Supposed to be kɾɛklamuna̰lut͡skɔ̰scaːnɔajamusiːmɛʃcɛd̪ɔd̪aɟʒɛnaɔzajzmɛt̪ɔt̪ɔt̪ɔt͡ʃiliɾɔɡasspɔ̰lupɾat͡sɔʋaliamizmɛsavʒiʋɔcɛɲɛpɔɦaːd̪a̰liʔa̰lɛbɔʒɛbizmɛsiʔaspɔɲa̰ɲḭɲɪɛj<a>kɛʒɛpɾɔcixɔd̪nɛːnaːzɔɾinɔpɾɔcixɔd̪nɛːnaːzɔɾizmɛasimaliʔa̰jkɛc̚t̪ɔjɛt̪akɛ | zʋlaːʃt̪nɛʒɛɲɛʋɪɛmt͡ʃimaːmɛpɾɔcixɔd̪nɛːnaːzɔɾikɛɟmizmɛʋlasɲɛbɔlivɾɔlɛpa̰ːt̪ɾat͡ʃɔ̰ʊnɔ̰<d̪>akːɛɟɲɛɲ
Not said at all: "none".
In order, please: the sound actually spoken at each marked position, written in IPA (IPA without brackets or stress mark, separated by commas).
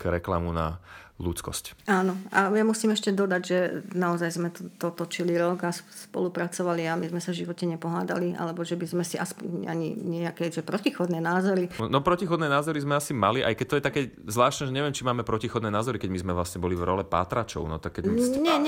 a, t̪